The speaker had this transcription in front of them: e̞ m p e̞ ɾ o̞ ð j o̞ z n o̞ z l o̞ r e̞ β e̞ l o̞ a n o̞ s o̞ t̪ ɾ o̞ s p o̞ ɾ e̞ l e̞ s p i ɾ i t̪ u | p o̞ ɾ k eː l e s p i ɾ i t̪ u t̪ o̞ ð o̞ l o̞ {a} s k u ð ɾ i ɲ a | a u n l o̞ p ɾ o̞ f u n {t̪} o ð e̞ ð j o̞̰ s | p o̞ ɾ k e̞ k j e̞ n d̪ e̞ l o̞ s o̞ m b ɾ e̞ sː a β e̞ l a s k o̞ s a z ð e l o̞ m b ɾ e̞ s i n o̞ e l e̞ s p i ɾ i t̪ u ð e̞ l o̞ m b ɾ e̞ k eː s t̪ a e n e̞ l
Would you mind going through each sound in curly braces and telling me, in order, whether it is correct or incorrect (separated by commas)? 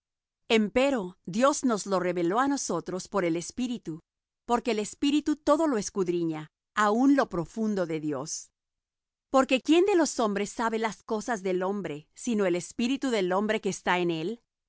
incorrect, incorrect